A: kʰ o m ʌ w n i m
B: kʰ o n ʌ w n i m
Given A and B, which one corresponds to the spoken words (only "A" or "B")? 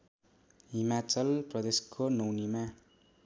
B